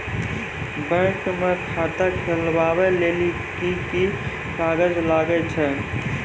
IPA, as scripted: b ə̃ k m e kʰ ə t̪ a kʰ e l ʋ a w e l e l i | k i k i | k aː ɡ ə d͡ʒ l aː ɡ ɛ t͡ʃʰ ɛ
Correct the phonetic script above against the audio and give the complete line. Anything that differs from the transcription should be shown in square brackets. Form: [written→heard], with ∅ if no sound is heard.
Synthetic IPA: b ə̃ k m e kʰ [ə→a] t̪ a kʰ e l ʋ a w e l e l i | k i k i | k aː ɡ ə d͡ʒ l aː ɡ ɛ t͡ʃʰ ɛ